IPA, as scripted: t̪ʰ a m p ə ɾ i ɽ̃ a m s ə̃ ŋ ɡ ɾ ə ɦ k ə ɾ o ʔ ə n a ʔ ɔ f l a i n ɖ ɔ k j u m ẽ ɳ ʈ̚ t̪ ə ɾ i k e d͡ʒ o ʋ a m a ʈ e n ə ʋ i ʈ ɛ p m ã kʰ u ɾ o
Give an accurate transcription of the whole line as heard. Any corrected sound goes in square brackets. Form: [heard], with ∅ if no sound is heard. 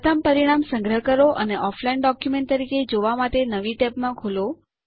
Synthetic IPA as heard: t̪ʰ a m p ə ɾ i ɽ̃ a m s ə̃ ŋ ɡ ɾ ə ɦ k ə ɾ o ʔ ə n [e] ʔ ɔ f l a i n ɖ ɔ k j u m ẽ ɳ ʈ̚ t̪ ə ɾ i k e d͡ʒ o ʋ a m a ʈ e n ə ʋ i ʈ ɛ p m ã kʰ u [l] o